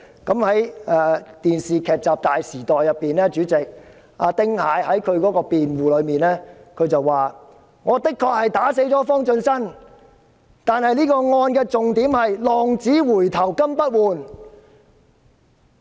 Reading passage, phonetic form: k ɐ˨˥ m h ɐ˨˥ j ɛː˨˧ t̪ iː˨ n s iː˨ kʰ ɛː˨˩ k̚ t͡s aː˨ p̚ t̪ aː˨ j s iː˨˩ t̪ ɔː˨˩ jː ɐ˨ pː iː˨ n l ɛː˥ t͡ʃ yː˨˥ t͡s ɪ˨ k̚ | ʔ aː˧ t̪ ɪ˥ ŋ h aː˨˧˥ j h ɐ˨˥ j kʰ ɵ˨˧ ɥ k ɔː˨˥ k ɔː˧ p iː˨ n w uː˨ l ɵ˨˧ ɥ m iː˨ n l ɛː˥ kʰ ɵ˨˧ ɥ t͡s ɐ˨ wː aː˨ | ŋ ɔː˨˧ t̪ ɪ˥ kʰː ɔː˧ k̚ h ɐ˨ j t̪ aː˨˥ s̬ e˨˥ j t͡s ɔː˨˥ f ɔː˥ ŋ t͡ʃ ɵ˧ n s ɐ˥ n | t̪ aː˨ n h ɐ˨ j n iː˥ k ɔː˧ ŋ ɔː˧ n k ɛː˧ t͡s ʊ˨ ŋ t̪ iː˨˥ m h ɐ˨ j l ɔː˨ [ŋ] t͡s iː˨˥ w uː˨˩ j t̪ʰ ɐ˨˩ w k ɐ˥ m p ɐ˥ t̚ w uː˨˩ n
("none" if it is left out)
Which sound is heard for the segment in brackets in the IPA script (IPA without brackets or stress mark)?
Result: ŋ